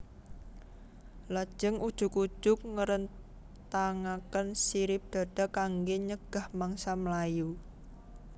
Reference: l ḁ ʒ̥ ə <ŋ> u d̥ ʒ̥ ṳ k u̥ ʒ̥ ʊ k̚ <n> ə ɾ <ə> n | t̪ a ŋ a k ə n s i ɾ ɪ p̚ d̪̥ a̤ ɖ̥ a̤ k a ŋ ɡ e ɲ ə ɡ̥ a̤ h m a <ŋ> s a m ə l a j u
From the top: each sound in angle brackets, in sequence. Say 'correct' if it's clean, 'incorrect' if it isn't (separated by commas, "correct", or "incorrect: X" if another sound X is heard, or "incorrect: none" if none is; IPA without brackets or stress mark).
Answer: correct, incorrect: ŋ, correct, correct